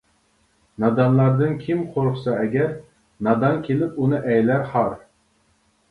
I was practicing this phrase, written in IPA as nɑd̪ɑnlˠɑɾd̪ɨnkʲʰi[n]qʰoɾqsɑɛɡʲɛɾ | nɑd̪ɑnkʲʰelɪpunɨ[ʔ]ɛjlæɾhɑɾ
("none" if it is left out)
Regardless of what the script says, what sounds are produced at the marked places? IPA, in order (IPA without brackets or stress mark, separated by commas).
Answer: m, ʔ